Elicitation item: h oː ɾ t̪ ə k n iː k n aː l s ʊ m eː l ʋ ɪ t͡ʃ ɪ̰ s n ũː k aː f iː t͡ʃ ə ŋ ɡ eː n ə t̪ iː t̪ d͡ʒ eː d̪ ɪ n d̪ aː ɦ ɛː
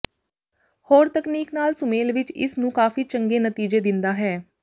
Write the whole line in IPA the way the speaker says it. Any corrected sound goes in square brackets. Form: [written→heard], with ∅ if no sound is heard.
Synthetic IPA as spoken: h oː ɾ t̪ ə k n iː k n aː l s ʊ m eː l ʋ ɪ t͡ʃ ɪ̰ s n ũː k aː f iː t͡ʃ ə ŋ ɡ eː n ə t̪ iː [t̪→∅] d͡ʒ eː d̪ ɪ n d̪ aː ɦ ɛː